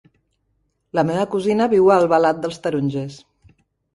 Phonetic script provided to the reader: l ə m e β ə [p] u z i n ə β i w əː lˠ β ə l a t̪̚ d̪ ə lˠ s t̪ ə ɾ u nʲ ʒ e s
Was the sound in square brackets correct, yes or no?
no